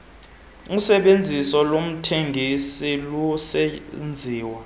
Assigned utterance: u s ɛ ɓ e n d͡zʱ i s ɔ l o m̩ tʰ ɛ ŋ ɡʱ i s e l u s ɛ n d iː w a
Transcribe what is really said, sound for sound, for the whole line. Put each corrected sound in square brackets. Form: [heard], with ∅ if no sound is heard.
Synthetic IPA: u s ɛ ɓ e n d͡zʱ i s ɔ l o m̩ tʰ [e] ŋ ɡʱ i s [i] l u s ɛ n [d͡zʱ] iː w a

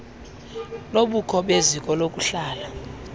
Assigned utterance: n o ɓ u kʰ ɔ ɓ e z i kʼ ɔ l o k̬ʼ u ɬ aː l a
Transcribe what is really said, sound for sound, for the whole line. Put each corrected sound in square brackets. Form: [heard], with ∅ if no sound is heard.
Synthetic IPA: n o ɓ u kʰ ɔ ɓ e z i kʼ ɔ l o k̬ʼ u ɬ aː l a

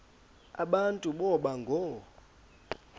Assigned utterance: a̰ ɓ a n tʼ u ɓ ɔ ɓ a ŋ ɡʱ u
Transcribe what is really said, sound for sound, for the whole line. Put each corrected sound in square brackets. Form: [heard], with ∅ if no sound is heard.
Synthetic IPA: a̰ ɓ a n tʼ u ɓ ɔ ɓ a ŋ ɡʱ [ɔ]

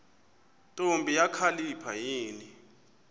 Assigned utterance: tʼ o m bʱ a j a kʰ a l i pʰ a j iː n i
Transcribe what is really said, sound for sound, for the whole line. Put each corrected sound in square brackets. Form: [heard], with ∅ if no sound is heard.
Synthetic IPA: tʼ o m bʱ [i] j a kʰ a l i pʰ a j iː n i

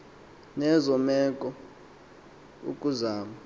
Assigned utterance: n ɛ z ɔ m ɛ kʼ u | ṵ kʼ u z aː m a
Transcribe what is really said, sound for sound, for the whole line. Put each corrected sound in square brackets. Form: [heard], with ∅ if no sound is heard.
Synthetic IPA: n ɛ z ɔ m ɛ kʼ [ɔ] | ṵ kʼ u z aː m a

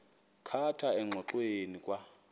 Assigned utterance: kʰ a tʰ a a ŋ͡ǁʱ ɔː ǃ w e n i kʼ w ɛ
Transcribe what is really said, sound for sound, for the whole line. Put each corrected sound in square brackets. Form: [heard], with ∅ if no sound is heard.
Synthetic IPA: kʰ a tʰ a [ɛ] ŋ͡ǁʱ [ɔ] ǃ w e n i kʼ w [a]

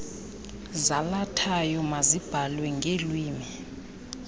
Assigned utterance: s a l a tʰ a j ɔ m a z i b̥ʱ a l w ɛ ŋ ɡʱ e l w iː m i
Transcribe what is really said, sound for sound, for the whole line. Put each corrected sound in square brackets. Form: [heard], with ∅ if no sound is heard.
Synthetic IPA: [z] a l a tʰ a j ɔ m a z i b̥ʱ a l w ɛ ŋ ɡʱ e l w iː m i

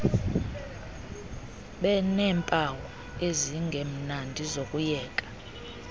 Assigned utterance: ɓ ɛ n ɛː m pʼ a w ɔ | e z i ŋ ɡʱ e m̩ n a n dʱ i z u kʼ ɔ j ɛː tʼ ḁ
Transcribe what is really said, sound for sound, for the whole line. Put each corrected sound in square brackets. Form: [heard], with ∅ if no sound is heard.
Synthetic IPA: ɓ ɛ n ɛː m pʼ a w ɔ | e z i ŋ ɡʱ e m̩ n a n dʱ i z [o] kʼ [u] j ɛː [kʼ] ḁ

